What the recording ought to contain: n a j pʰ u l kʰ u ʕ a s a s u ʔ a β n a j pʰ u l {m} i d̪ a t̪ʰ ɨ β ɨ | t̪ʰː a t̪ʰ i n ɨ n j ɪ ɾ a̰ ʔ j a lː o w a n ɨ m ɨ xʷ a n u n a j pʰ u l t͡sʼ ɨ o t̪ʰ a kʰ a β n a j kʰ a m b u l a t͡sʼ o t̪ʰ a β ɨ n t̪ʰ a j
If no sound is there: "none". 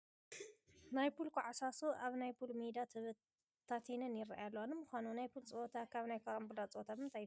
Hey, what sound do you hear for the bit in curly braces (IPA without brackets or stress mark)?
m